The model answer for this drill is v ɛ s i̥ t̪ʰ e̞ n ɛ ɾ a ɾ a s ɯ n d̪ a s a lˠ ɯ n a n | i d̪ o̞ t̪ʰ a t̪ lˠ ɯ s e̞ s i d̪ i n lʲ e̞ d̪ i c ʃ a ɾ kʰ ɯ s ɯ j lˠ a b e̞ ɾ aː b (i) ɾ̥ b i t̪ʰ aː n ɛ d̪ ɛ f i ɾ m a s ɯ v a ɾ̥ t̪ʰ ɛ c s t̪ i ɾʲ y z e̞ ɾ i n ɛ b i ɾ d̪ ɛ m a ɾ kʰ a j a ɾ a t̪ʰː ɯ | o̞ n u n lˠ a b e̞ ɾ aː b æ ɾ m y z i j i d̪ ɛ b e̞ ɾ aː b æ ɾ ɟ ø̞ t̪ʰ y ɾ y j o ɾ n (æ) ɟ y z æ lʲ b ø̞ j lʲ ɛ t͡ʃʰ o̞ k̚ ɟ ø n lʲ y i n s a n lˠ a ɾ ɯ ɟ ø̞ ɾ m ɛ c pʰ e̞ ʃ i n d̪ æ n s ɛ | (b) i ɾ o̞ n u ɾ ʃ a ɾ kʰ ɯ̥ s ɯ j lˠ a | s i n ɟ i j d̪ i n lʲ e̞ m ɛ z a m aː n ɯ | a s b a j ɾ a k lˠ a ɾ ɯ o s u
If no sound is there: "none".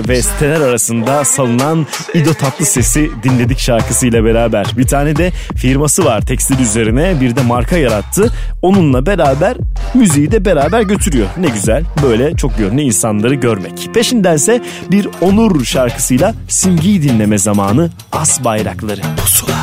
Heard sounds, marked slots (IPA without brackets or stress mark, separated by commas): æ, ɛ, b